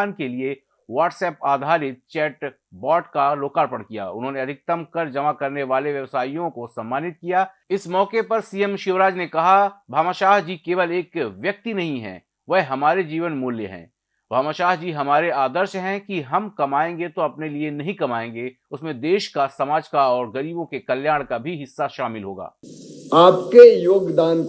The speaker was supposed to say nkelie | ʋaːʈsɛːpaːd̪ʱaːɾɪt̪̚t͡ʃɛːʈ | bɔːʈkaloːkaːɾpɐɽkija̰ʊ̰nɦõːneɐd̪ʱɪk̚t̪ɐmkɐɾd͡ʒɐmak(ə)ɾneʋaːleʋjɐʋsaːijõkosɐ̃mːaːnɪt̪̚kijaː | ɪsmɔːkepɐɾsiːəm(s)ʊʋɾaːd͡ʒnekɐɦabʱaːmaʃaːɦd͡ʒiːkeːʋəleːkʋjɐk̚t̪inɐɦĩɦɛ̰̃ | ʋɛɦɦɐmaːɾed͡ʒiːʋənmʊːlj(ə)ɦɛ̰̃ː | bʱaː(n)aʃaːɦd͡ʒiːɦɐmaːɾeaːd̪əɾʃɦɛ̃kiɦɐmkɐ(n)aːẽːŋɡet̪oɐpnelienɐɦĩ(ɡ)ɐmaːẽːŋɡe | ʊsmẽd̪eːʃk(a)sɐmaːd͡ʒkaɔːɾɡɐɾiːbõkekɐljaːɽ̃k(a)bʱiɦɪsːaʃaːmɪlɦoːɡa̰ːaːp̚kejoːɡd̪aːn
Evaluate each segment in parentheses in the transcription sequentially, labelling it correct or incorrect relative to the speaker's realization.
incorrect: ɐ, incorrect: ʃ, correct, incorrect: m, incorrect: m, incorrect: k, correct, correct

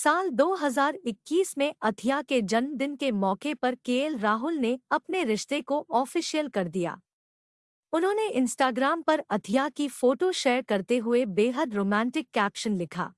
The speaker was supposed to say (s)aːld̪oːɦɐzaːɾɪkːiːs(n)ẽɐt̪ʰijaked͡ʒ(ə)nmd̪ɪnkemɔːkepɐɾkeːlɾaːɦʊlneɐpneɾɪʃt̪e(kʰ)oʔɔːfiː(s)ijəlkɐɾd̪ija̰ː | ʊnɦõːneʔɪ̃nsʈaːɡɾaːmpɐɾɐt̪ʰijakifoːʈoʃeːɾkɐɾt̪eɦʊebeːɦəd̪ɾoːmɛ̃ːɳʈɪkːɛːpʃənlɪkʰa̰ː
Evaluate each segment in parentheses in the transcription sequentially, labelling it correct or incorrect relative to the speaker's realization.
correct, incorrect: m, incorrect: ɐ, incorrect: k, incorrect: ʃ

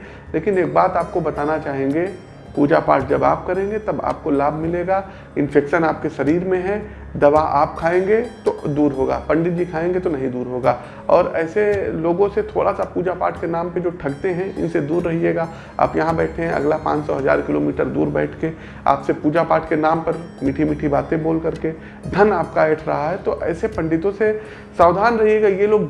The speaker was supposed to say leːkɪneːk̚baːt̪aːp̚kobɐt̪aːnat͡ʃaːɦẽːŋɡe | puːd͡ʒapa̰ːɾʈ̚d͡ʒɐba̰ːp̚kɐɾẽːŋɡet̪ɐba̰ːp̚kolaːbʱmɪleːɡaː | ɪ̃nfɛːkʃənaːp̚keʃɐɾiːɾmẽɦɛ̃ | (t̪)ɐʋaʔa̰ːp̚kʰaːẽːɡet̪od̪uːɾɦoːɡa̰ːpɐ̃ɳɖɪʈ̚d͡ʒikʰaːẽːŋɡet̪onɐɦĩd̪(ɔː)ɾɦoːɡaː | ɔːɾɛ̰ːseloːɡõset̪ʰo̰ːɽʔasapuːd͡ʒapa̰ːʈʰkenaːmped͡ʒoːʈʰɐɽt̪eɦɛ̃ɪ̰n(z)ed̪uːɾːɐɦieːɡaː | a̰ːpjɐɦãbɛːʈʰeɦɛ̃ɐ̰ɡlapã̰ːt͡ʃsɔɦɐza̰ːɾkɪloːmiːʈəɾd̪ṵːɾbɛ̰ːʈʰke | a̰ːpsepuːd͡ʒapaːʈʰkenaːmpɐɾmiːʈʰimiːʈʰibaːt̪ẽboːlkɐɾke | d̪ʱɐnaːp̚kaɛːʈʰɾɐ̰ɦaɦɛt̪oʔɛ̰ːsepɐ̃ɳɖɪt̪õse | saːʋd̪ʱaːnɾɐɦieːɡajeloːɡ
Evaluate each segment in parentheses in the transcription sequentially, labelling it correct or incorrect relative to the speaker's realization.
incorrect: d̪, incorrect: uː, incorrect: s

